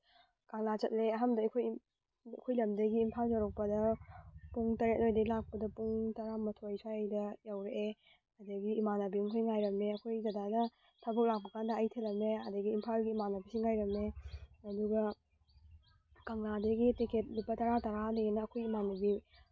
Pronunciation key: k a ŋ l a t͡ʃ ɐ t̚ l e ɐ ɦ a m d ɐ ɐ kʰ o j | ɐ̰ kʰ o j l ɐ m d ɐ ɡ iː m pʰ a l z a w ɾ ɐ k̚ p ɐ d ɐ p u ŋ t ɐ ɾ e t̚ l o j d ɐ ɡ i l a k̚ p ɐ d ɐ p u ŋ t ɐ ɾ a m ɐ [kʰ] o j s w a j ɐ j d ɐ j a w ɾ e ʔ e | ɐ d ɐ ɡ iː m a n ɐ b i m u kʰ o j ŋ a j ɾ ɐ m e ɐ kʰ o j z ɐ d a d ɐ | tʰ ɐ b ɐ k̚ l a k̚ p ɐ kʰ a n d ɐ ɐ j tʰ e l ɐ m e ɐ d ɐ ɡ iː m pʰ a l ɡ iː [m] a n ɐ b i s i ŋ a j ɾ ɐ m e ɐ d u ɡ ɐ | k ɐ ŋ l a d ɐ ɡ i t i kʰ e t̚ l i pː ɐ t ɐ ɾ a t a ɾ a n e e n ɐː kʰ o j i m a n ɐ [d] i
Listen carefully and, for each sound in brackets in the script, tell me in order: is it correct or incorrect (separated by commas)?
incorrect, correct, incorrect